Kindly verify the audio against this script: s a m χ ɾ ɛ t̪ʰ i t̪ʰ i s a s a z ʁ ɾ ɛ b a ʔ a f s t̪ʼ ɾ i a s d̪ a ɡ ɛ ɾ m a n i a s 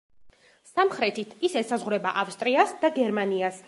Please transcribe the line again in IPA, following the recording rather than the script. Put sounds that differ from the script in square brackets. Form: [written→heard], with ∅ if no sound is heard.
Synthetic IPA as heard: s a m χ ɾ ɛ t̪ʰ i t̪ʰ i s [a→ɛ] s a z ʁ ɾ ɛ b a ʔ a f s t̪ʼ ɾ i a s d̪ a ɡ ɛ ɾ m a n i a s

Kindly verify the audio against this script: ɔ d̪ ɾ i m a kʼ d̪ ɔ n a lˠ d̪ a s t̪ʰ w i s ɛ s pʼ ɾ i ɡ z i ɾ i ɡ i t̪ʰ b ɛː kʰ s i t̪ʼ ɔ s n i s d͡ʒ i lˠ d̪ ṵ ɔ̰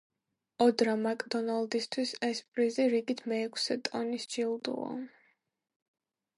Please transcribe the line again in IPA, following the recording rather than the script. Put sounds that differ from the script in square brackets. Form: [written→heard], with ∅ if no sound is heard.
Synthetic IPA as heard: ɔ d̪ ɾ [i→a] m a kʼ d̪ ɔ n a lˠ d̪ [a→i] s t̪ʰ w i s ɛ s pʼ ɾ i [ɡ→∅] z i ɾ i ɡ i t̪ʰ [b→m] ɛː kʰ s [i→ɛ] t̪ʼ ɔ [s→∅] n i s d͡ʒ i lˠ d̪ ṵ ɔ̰

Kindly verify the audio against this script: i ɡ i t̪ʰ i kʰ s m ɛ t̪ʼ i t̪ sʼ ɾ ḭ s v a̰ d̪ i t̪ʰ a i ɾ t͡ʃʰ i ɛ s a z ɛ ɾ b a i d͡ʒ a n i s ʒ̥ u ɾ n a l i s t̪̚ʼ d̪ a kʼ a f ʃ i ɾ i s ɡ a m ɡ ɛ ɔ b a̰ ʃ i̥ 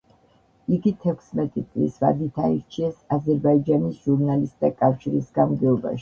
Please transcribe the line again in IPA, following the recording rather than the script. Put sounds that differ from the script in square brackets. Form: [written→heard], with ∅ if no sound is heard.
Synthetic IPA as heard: i ɡ i t̪ʰ [i→ɛ] kʰ s m ɛ t̪ʼ i t̪ sʼ [ɾ→l] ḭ s v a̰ d̪ i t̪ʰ a i ɾ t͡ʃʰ i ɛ s a z ɛ ɾ b a i d͡ʒ a n i s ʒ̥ u ɾ n a l i s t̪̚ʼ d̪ a kʼ a f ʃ i ɾ i s ɡ a m ɡ ɛ ɔ b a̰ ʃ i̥

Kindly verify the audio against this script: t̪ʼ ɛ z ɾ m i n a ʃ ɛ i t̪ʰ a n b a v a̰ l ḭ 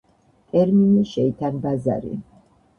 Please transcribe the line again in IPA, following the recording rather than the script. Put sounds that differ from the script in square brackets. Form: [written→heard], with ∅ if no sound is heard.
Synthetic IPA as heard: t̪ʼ ɛ [z→∅] ɾ m i n [a→i] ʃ ɛ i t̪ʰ a n b a [v→z] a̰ [l→ɾ] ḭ

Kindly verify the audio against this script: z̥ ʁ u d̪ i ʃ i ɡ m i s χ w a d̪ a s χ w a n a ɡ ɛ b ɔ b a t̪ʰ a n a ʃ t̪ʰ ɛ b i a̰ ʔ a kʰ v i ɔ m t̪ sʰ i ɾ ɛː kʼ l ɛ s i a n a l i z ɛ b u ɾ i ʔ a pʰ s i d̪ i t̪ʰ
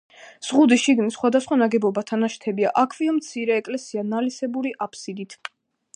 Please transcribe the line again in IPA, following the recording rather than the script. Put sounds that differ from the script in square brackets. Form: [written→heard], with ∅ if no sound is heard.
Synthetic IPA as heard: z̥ ʁ u d̪ i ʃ i ɡ [m→n] i s χ w a d̪ a s χ w a n a ɡ ɛ b ɔ b a t̪ʰ a n a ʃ t̪ʰ ɛ b i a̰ ʔ a kʰ v i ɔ m t̪ sʰ i ɾ ɛː kʼ l ɛ s i a n a l i [z→s] ɛ b u ɾ i ʔ a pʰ s i d̪ i t̪ʰ

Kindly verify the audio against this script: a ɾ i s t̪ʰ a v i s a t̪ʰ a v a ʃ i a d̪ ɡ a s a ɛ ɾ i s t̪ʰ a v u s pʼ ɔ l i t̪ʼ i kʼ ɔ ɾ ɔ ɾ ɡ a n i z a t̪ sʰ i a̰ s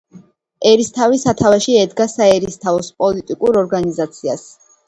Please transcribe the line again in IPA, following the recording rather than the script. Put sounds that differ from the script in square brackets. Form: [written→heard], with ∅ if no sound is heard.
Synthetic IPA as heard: [a→ɛ] ɾ i s t̪ʰ a v i s a t̪ʰ a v a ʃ i [a→ɛ] d̪ ɡ a s a ɛ ɾ i s t̪ʰ a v [u→ɔ] s pʼ ɔ l i t̪ʼ i kʼ [ɔ→u] ɾ ɔ ɾ ɡ a n i z a t̪ sʰ i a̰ s

